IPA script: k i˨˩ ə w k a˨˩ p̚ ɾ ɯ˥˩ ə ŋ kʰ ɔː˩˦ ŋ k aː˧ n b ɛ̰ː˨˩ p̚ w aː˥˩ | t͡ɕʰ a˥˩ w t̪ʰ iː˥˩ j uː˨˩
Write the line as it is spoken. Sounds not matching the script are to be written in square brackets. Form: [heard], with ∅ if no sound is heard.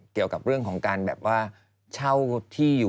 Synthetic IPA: k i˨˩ ə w k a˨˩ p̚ ɾ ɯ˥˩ ə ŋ kʰ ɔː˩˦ ŋ k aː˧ n b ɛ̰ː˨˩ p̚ w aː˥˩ | t͡ɕʰ a˥˩ w t̪ʰ iː˥˩ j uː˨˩